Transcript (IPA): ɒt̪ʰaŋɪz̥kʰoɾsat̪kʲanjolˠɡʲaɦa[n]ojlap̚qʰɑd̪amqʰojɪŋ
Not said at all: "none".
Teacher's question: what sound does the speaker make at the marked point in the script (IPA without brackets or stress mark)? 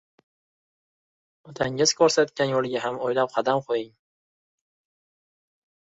m